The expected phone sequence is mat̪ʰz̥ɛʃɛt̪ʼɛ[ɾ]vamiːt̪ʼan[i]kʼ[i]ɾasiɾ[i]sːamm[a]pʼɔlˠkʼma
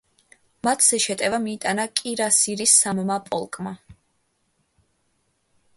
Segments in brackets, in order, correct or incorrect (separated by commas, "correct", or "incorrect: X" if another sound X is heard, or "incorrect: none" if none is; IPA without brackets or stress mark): incorrect: none, incorrect: a, correct, correct, correct